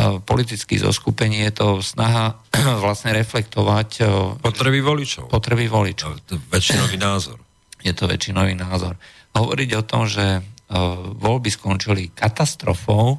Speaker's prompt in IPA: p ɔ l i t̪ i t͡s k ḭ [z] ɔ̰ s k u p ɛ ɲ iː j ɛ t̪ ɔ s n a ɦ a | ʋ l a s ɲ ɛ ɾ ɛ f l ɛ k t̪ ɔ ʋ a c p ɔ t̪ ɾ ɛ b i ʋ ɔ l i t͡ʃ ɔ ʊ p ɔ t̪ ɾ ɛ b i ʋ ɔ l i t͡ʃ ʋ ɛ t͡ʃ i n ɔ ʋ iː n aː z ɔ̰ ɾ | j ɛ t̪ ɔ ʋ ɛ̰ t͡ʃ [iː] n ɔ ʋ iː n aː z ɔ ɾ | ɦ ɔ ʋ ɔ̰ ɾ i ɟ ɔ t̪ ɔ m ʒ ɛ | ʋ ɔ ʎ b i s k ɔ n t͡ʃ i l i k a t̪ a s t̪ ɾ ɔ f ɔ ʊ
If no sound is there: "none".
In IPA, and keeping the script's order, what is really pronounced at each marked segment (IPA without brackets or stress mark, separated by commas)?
z, i